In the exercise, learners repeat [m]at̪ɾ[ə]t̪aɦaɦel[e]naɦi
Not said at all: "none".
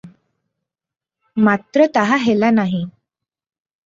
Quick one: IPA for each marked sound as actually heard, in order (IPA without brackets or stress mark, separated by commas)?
m, ə, a